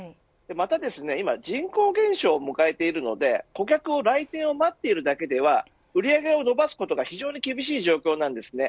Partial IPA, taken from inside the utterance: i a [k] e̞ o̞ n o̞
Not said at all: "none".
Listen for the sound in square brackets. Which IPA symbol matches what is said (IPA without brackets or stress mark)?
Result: ɡ